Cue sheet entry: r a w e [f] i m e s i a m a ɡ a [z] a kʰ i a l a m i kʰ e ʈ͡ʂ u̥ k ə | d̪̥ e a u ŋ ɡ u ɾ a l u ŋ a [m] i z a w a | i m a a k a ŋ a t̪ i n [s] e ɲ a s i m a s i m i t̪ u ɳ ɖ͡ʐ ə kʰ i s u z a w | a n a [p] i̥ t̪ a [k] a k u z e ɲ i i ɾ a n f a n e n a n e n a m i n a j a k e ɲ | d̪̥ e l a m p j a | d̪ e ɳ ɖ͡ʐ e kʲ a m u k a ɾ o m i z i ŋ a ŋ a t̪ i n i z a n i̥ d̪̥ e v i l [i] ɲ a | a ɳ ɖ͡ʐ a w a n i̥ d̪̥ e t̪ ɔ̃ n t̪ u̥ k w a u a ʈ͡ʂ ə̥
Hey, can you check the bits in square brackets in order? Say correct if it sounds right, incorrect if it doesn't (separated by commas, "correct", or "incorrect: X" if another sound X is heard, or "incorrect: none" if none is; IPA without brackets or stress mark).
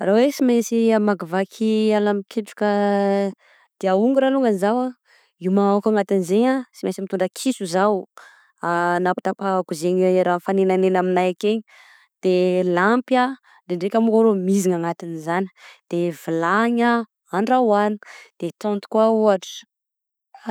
incorrect: s, incorrect: v, incorrect: n, incorrect: z, correct, incorrect: p, incorrect: a